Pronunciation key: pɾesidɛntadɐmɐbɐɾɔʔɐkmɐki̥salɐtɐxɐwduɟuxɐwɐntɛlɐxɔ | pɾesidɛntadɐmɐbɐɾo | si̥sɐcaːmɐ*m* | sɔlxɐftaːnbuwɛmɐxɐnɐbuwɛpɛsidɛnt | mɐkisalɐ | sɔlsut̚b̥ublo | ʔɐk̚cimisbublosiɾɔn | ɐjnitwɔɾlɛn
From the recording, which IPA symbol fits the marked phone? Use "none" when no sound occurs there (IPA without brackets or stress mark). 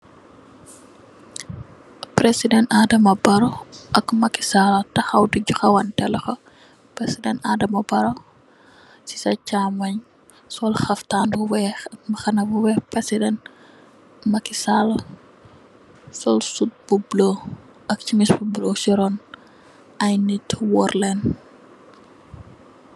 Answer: ɲ